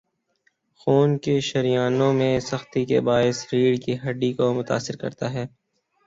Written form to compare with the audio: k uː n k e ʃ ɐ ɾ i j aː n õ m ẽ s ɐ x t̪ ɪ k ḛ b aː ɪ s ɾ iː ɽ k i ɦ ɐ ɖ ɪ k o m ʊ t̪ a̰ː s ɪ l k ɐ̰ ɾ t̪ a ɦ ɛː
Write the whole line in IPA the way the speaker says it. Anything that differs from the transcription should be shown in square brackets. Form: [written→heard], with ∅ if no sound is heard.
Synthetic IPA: [k→x] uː n k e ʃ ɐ ɾ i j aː n õ m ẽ s ɐ x t̪ [ɪ→i] k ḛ b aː ɪ s ɾ iː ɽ k i ɦ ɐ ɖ [ɪ→i] k o m ʊ t̪ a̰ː s ɪ [l→ɾ] k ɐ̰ ɾ t̪ a ɦ ɛː